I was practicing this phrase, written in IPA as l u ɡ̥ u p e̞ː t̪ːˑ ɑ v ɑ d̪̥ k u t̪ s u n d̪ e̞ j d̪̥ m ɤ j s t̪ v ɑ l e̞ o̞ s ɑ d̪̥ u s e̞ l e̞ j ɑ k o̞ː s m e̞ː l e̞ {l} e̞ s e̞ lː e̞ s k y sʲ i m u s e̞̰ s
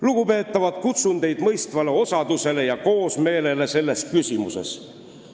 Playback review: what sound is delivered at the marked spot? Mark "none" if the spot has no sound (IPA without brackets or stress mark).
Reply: l